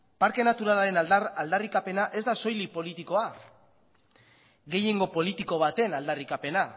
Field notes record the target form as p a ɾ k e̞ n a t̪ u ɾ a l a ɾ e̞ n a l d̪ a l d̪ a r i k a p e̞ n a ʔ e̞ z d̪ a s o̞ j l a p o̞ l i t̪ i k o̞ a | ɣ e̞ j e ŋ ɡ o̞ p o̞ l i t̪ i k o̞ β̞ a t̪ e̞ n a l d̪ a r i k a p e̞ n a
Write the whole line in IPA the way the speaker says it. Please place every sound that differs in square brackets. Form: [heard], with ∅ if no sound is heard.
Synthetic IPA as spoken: p a ɾ k e̞ n a t̪ u ɾ a l a ɾ e̞ n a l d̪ a l d̪ a r i k a p e̞ n a ʔ e̞ z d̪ a s o̞ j l [i] p o̞ l i t̪ i k o̞ a | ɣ e̞ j e ŋ ɡ o̞ p o̞ l i t̪ i k o̞ β̞ a t̪ e̞ n a l d̪ a r i k a p e̞ n a